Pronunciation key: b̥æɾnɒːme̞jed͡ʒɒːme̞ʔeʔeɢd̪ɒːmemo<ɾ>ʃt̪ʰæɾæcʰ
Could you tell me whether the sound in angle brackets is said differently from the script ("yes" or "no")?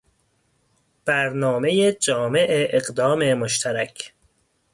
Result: yes